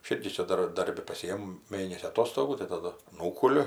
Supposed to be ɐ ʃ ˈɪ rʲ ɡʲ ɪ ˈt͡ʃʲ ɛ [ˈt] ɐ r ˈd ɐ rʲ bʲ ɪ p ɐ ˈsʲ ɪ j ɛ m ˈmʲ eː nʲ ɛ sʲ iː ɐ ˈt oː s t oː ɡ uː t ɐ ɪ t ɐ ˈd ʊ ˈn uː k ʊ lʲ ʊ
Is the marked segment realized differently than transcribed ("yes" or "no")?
yes